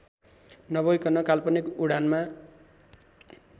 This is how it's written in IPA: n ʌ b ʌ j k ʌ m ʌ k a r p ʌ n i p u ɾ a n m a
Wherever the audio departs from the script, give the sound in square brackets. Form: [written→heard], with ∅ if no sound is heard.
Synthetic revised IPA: n ʌ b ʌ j k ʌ [m→n] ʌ k a [r→l] p ʌ n i [p→k] u [ɾ→ɽ] a n m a